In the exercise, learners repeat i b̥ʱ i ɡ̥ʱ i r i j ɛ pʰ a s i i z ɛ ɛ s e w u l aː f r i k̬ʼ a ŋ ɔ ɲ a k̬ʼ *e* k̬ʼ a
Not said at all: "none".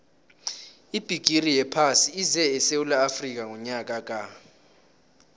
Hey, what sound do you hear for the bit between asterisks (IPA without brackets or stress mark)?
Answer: a